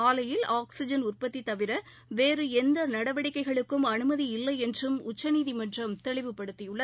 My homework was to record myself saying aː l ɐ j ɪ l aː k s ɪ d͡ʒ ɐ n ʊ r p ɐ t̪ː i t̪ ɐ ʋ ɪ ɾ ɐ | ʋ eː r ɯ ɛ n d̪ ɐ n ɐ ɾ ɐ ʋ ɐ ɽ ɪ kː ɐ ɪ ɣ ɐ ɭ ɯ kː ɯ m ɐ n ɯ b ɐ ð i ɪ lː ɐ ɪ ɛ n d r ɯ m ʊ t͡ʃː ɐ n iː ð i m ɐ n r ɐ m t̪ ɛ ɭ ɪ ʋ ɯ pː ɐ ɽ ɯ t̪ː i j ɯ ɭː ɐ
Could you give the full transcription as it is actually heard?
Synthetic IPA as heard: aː l ɐ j ɪ l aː k s ɪ d͡ʒ ɐ n ʊ r p ɐ t̪ː i t̪ ɐ ʋ ɪ ɾ ɐ | ʋ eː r ɯ ɛ n d̪ ɐ n ɐ ɽ ɐ ʋ ɐ ɽ ɪ kː ɐ ɪ ɣ ɐ ɭ ɯ kː ɯ m ɐ n ɯ m ɐ ð i ɪ lː ɐ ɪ ɛ n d r ɯ m ʊ t͡ʃː ɐ n iː ð i m ɐ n r ɐ m t̪ ɛ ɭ ɪ ʋ ɯ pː ɐ ɽ ɯ t̪ː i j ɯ ɭː ɐ